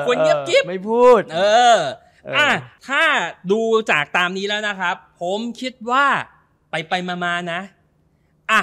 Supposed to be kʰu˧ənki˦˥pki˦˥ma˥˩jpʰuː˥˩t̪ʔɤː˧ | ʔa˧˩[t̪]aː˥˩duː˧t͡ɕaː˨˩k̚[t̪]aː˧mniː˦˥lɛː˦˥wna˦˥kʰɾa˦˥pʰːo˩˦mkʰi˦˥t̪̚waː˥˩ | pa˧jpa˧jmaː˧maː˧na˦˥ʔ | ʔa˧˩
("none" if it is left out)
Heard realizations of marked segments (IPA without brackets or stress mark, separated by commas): t̪ʰ, t̪